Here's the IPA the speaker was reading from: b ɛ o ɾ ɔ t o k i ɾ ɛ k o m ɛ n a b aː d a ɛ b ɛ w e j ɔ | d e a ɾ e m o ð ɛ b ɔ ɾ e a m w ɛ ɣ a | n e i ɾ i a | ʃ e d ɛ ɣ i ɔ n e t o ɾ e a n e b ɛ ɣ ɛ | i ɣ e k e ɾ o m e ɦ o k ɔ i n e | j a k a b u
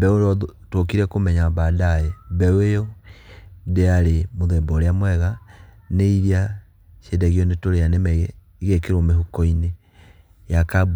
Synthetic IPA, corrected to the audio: b ɛ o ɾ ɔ t o k i ɾ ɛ k o m ɛ ɲ a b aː d a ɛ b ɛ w e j ɔ | d e a ɾ e m o ð ɛ b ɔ ɾ e a m w ɛ ɣ a | n e i ɾ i a | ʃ e d ɛ ɣ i ɔ n e t o ɾ e a n e m ɛ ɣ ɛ | i ɣ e k e ɾ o m e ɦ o k ɔ i n e | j a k a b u